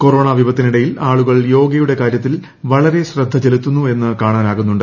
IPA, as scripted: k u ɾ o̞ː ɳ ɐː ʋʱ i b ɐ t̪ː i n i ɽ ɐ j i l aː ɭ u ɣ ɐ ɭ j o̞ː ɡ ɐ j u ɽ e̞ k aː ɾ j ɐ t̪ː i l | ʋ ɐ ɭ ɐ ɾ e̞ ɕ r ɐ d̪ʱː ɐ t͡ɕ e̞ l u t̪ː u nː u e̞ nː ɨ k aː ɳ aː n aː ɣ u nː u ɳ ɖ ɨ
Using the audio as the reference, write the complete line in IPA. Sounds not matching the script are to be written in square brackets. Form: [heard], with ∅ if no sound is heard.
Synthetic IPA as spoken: k [o] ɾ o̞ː ɳ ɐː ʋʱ i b ɐ t̪ː i n i ɽ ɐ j i l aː ɭ u ɣ ɐ ɭ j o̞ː ɡ ɐ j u ɽ e̞ k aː ɾ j ɐ t̪ː i l | ʋ ɐ ɭ ɐ ɾ e̞ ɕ r ɐ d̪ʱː ɐ t͡ɕ e̞ l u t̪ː u nː u e̞ nː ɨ k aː ɳ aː n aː ɣ u nː u ɳ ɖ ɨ

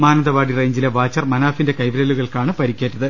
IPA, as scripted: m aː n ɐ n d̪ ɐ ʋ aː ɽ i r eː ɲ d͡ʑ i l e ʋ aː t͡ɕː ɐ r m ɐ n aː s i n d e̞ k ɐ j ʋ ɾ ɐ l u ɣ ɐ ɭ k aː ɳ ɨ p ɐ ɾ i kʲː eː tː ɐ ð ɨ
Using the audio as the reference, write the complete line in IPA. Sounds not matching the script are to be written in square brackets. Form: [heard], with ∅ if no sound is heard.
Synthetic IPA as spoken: m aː n ɐ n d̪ ɐ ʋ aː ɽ i r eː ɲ d͡ʑ i l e ʋ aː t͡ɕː ɐ r m ɐ n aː [f] i n d e̞ k ɐ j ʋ ɾ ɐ l u ɣ ɐ ɭ k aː ɳ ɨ p ɐ ɾ i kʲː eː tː ɐ ð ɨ

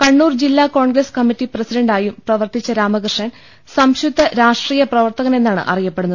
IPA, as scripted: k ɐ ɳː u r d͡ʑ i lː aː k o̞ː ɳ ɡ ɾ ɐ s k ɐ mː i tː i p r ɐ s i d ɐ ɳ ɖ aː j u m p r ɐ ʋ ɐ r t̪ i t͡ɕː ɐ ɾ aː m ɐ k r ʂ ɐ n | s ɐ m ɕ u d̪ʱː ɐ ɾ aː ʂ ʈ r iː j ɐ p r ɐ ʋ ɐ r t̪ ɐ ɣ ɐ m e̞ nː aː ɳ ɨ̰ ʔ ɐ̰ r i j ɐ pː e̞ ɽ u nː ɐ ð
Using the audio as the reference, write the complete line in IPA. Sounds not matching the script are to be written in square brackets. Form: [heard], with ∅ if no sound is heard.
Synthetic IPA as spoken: k ɐ ɳː [uː] r d͡ʑ i lː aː k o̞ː ɳ ɡ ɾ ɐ s k ɐ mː i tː i p r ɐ s i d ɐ ɳ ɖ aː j u m p r ɐ ʋ ɐ r t̪ i t͡ɕː ɐ ɾ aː m ɐ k r ʂ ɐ n | s ɐ m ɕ u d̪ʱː ɐ ɾ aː ʂ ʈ r iː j ɐ p r ɐ ʋ ɐ r t̪ ɐ ɣ ɐ [n] e̞ nː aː ɳ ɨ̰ ʔ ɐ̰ r i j ɐ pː e̞ ɽ u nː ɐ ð

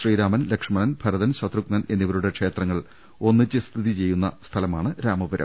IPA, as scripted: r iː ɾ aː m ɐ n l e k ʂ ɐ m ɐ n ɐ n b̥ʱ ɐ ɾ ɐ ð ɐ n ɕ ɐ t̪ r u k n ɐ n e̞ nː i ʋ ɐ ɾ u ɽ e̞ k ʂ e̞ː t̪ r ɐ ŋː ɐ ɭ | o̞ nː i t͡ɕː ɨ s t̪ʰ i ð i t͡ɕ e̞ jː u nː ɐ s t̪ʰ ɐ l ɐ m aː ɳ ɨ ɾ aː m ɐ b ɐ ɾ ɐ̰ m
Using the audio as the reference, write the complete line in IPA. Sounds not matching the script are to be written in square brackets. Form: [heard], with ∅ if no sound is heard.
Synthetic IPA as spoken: r iː ɾ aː m ɐ n l e k ʂ ɐ m ɐ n ɐ n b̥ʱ ɐ ɾ ɐ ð ɐ n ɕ ɐ t̪ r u k n ɐ n e̞ nː i ʋ ɐ ɾ u ɽ e̞ k ʂ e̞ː t̪ r ɐ ŋː ɐ ɭ | o̞ nː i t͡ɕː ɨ s t̪ʰ i ð i t͡ɕ e̞ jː u nː ɐ s t̪ʰ ɐ l ɐ m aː ɳ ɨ ɾ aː m ɐ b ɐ ɾ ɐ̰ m

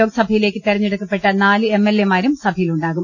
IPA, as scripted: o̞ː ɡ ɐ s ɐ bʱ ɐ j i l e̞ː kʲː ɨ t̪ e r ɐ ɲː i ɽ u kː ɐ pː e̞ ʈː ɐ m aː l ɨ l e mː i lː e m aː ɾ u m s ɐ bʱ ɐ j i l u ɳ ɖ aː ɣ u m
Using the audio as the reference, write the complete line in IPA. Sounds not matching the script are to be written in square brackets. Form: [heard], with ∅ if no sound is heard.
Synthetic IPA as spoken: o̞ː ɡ ɐ s ɐ bʱ ɐ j i l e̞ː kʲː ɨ t̪ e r ɐ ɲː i ɽ u kː ɐ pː e̞ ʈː ɐ [n] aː l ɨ [∅] e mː [e] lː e m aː ɾ u m s ɐ bʱ ɐ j i l u ɳ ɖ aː ɣ u m

